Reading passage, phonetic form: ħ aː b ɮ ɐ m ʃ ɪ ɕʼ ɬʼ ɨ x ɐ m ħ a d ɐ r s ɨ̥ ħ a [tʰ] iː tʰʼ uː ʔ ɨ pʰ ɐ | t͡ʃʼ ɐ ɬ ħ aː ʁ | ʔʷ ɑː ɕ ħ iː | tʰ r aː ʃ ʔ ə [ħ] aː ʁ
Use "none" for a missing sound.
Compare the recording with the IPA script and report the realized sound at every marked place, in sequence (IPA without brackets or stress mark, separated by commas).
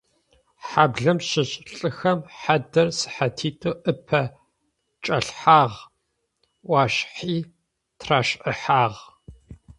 tʰ, ħ